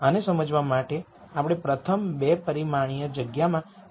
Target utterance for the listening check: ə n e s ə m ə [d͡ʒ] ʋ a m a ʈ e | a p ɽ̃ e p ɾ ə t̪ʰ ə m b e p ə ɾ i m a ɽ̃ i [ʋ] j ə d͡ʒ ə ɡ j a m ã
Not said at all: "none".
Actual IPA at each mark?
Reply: d͡ʒ, none

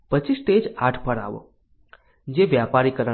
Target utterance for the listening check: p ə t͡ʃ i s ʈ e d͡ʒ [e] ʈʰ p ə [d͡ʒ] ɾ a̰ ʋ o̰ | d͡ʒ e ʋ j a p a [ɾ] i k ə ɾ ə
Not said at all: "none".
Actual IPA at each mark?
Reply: a, none, ɾ

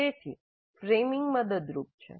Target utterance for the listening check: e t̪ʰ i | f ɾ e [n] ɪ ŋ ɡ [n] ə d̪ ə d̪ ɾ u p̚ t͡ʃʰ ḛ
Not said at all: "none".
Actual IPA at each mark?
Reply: m, m

